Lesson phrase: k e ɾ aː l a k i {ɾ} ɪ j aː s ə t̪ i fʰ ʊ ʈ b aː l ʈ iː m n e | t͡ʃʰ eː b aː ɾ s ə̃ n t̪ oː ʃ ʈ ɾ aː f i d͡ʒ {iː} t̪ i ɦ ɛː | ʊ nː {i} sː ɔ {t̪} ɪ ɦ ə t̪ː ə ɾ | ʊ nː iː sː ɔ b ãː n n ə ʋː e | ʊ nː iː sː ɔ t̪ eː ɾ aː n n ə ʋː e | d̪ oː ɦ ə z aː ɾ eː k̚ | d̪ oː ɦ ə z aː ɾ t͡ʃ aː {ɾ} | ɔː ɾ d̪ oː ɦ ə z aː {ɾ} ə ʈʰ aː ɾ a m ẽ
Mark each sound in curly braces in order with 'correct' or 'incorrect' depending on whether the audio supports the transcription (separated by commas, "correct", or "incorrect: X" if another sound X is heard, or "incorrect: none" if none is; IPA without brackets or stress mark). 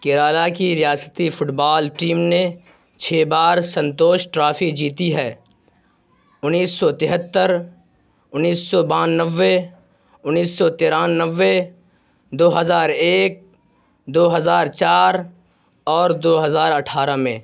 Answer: correct, correct, incorrect: iː, correct, correct, correct